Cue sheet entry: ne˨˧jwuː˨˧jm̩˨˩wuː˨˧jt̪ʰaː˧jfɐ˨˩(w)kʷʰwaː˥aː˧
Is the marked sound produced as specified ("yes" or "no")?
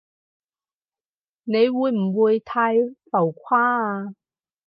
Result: yes